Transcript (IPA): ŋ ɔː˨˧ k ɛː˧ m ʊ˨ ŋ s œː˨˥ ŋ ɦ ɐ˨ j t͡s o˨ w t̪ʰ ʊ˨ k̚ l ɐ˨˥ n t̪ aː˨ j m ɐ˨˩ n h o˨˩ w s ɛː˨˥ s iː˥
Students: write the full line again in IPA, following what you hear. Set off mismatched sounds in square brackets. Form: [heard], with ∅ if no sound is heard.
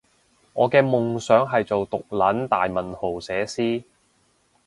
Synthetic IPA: ŋ ɔː˨˧ k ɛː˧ m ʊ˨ ŋ s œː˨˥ ŋ ɦ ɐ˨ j t͡s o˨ w [t̪] ʊ˨ k̚ l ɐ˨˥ n t̪ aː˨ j m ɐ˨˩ n h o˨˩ w s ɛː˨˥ s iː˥